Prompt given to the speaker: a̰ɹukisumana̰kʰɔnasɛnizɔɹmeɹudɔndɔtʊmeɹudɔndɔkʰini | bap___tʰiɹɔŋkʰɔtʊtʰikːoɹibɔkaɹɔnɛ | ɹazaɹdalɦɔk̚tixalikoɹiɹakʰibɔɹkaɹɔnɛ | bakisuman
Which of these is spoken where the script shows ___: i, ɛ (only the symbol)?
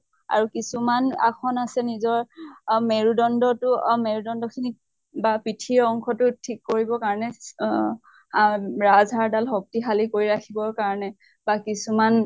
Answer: i